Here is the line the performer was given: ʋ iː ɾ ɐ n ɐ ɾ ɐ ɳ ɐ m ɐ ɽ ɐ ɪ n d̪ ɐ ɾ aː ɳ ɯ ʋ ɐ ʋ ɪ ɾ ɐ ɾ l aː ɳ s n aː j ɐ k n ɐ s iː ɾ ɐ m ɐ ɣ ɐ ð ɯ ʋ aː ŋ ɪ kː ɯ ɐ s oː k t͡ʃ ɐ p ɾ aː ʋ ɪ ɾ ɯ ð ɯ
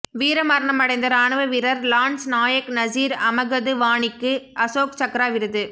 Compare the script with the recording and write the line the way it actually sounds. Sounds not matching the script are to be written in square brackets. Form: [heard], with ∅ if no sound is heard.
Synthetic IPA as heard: ʋ iː ɾ ɐ [m] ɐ ɾ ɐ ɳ ɐ m ɐ ɽ ɐ ɪ n d̪ ɐ ɾ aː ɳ ɯ ʋ ɐ ʋ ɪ ɾ ɐ ɾ l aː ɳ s n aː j ɐ k n ɐ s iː ɾ ɐ m ɐ ɣ ɐ ð ɯ ʋ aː [ɳ] ɪ kː ɯ ɐ s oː k t͡ʃ ɐ [k] ɾ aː ʋ ɪ ɾ ɯ ð ɯ